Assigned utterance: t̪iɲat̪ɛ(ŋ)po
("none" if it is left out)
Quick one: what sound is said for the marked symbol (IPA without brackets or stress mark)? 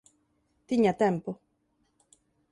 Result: m